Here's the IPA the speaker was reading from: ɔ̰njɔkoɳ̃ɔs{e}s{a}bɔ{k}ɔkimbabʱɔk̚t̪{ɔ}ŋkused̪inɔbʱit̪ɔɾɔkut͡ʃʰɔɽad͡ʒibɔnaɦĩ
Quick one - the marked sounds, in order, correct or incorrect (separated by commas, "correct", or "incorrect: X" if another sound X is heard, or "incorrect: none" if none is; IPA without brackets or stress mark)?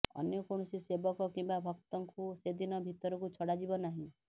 incorrect: i, incorrect: e, correct, correct